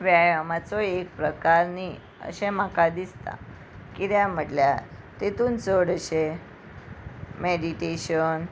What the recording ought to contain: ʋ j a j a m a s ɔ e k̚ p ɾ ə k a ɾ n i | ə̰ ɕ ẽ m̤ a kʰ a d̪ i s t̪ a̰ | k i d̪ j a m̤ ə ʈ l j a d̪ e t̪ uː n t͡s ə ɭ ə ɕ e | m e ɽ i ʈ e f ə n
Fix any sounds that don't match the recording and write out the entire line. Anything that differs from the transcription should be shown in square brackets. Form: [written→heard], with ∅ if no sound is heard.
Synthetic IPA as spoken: ʋ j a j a m a [s→t͡s] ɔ e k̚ p ɾ ə k a ɾ n i | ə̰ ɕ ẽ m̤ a [kʰ→k] a d̪ i s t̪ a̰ | k i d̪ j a m̤ ə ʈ l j a [d̪→t̪] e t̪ uː n t͡s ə [ɭ→ɽ] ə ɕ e | m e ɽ i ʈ e [f→ɕ] ə n